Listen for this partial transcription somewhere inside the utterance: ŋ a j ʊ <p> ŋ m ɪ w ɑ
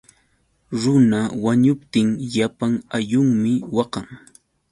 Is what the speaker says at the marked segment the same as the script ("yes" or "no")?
no